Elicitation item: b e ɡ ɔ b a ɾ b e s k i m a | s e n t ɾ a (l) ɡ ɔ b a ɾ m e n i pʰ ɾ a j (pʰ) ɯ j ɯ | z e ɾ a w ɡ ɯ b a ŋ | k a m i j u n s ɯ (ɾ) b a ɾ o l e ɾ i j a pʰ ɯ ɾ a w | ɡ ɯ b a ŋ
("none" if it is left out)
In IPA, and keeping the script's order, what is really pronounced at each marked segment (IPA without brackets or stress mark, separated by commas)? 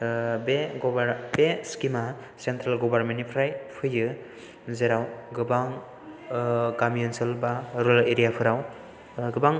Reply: l, pʰ, l